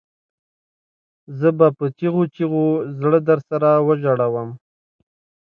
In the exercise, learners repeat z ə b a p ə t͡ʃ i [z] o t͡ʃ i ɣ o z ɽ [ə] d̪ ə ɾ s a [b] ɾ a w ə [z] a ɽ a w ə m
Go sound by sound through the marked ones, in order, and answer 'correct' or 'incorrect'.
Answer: incorrect: ɣ, correct, incorrect: none, incorrect: ʒ

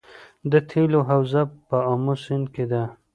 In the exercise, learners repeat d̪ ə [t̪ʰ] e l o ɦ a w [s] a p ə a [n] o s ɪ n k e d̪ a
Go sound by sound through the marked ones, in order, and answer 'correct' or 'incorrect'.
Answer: correct, incorrect: z, incorrect: m

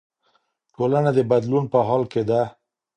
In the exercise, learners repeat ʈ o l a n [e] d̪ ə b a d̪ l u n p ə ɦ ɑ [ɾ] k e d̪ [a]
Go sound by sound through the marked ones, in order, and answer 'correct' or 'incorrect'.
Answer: incorrect: a, incorrect: l, correct

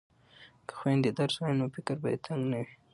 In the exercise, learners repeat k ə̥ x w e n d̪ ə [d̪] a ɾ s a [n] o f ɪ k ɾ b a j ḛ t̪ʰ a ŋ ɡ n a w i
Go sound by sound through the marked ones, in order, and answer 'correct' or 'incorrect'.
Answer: correct, correct

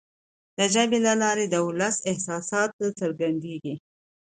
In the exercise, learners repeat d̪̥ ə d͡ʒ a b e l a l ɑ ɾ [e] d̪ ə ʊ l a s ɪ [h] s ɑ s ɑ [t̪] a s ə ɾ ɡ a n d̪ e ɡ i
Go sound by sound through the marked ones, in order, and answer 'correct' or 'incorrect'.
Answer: correct, correct, correct

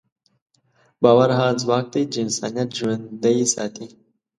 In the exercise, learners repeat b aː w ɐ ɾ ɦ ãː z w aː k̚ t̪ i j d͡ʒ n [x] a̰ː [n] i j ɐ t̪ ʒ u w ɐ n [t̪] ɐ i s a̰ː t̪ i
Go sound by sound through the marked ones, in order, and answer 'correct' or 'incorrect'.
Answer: incorrect: s, correct, incorrect: d̪

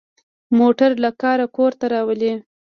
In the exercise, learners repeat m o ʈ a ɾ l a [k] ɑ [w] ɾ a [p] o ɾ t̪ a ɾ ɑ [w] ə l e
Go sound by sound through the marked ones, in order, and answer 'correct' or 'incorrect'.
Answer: correct, incorrect: none, incorrect: k, correct

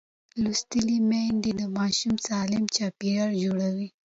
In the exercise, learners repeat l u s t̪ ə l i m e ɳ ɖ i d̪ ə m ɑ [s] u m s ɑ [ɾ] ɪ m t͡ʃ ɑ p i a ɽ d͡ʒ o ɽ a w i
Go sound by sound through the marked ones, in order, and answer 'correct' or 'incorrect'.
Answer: incorrect: ʃ, incorrect: l

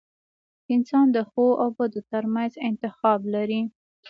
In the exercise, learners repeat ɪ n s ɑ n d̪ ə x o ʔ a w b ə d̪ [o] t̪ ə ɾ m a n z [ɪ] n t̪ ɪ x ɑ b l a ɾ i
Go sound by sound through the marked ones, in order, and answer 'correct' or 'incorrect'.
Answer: correct, correct

